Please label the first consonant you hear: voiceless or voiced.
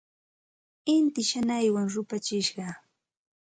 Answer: voiced